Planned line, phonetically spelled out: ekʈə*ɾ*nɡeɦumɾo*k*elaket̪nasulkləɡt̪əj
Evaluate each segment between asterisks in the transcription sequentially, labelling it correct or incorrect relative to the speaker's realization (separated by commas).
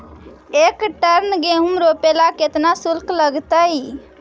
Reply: correct, incorrect